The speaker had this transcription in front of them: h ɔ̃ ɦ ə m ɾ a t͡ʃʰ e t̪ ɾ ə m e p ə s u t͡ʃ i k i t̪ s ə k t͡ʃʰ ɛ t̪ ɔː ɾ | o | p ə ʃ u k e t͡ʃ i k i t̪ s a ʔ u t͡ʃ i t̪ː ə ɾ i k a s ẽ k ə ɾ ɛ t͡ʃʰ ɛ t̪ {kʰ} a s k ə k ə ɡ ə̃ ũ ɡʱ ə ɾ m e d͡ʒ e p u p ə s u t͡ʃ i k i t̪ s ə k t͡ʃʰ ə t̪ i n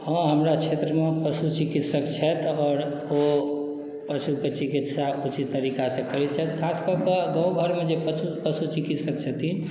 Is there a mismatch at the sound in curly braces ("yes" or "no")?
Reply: no